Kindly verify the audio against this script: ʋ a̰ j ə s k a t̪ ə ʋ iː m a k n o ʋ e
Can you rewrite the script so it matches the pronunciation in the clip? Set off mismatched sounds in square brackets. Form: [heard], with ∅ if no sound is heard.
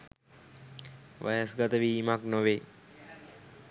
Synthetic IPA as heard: ʋ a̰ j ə s [ɡ] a t̪ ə ʋ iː m a k n o ʋ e